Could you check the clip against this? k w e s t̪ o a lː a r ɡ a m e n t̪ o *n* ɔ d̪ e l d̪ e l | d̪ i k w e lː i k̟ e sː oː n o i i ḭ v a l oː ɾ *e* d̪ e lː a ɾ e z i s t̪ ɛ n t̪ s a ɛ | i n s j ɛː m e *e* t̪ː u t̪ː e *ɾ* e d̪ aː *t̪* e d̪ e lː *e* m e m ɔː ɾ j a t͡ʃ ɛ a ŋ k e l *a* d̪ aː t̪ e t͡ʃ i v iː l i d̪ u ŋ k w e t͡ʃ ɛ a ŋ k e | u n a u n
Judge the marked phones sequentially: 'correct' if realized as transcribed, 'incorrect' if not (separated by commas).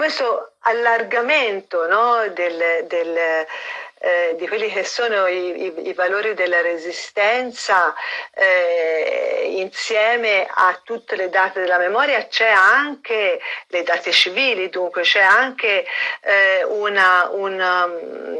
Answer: correct, incorrect, incorrect, incorrect, correct, incorrect, incorrect